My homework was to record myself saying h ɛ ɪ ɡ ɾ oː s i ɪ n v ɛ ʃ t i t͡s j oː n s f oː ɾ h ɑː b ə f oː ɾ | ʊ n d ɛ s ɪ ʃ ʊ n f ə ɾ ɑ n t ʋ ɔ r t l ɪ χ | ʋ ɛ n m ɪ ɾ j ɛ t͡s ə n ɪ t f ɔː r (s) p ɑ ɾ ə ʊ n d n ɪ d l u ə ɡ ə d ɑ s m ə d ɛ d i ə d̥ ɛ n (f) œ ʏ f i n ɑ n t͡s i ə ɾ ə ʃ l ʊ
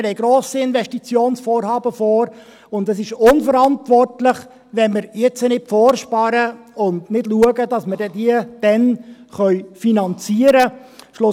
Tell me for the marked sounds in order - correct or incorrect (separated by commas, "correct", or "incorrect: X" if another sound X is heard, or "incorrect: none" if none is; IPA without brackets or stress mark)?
incorrect: ʃ, incorrect: χ